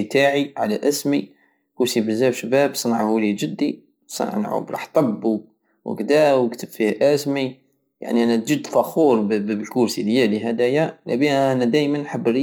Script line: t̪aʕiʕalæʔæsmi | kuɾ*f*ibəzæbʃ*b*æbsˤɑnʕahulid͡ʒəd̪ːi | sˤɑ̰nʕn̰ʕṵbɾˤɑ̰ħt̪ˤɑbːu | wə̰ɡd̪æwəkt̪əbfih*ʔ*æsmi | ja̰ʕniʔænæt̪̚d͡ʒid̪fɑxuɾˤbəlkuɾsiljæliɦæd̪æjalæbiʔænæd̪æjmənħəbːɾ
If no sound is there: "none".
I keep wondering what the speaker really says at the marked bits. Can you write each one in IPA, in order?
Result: s, b, ʔ

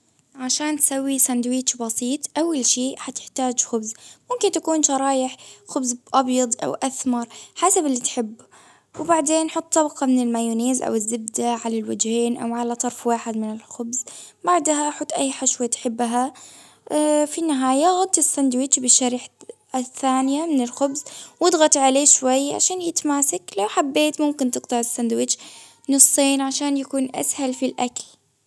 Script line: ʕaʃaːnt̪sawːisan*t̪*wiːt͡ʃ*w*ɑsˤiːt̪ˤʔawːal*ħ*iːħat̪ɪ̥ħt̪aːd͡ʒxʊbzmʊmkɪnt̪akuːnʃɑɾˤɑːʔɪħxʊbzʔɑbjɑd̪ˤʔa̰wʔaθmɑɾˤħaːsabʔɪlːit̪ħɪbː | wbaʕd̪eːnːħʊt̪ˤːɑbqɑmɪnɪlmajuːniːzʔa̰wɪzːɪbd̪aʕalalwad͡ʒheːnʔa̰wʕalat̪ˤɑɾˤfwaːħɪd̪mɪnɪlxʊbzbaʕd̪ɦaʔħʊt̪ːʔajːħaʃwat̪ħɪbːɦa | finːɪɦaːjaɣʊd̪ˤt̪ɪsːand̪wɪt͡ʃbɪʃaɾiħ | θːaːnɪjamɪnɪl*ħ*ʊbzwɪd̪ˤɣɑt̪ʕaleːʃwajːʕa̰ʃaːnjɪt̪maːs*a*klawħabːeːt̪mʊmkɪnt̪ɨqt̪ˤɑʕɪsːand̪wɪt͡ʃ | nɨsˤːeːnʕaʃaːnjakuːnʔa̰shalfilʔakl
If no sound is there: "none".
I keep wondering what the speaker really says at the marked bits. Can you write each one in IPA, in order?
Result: d̪, b, ʃ, x, a

